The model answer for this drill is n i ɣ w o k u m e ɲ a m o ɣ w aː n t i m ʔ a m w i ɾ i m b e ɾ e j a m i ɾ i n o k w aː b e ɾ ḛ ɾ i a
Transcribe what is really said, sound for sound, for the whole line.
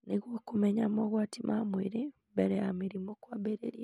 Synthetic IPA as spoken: n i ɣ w o k u m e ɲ a m o ɣ w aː t i m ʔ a m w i ɾ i m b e ɾ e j a m i ɾ i m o k w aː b e ɾ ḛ ɾ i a